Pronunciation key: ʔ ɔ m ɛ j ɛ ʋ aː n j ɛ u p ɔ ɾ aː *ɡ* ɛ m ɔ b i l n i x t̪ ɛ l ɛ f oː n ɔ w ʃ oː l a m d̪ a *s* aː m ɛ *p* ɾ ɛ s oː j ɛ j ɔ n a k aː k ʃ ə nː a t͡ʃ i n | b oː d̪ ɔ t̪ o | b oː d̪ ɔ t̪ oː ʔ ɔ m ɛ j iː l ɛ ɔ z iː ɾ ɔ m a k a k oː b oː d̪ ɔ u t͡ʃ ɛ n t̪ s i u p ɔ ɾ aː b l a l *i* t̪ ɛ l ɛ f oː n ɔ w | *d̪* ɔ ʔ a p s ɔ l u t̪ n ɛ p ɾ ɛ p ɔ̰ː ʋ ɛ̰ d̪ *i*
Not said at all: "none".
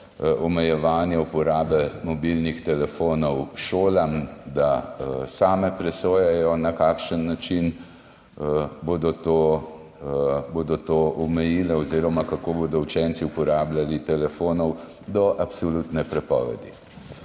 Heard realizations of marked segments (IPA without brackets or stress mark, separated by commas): b, s, p, i, d̪, i